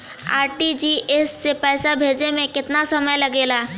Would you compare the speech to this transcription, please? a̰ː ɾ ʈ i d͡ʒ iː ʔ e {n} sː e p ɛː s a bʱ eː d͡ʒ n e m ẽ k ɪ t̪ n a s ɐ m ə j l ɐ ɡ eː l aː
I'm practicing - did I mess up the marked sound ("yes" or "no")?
yes